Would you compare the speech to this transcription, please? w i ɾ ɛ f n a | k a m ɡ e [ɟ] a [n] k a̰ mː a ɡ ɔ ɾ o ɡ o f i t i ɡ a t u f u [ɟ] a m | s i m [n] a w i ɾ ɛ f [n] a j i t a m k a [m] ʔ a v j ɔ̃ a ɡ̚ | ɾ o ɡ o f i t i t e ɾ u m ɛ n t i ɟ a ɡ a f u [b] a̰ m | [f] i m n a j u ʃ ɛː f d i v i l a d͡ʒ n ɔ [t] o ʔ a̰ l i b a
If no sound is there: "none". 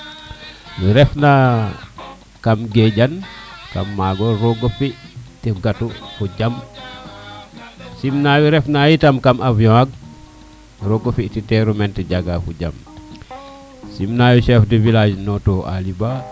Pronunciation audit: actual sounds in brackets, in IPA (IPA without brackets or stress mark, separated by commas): ɟ, n, ɟ, n, n, m, ɟ, s, t